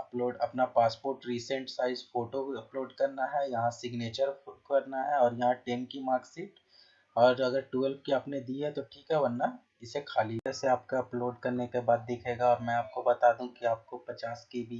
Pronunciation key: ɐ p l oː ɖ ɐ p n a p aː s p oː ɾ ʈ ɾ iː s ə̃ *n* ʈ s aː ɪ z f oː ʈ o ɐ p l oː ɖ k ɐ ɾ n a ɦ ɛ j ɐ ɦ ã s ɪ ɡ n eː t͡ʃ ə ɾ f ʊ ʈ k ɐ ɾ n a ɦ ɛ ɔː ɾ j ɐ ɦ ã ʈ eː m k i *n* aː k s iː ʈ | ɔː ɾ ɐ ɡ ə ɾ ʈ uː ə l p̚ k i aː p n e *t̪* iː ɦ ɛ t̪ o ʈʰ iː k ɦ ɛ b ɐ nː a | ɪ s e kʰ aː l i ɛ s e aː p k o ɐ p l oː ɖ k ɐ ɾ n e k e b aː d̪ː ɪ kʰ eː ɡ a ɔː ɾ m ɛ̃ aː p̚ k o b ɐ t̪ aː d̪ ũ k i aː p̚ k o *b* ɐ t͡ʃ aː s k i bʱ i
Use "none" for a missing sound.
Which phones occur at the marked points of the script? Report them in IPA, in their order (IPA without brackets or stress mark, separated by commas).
ɳ, m, d̪, p